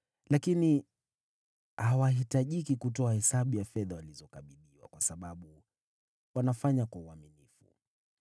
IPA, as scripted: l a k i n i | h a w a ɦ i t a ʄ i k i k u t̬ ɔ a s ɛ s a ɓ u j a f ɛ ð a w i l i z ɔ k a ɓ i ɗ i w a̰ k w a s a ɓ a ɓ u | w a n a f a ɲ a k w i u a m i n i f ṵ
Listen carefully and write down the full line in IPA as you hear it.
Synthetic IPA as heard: l a k i n i | h a w a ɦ i t a ʄ i k i k u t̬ ɔ a h ɛ s a ɓ u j a f ɛ ð a w a l i z ɔ k a ɓ i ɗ i w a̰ k w a s a ɓ a ɓ u | w a n a f a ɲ a k w a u a m i n i f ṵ